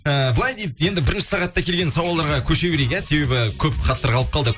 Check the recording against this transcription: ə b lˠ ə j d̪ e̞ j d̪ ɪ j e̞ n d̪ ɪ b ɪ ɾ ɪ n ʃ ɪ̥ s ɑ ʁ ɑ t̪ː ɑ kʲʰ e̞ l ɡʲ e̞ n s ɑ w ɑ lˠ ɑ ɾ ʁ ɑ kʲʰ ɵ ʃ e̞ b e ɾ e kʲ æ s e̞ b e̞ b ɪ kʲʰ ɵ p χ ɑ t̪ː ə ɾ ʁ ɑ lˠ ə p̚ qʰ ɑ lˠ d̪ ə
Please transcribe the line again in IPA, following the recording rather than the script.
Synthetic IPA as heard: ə b lˠ ɑ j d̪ e̞ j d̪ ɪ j e̞ n d̪ ɪ b ɪ ɾ ɪ n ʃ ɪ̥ s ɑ ʁ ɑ t̪ː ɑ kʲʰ e̞ l ɡʲ e̞ n s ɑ w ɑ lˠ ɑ ɾ ʁ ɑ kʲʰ ɵ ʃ e̞ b e ɾ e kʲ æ s e̞ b e̞ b ɪ kʲʰ ɵ p χ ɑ t̪ː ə ɾ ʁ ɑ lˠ ə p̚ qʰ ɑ lˠ d̪ ə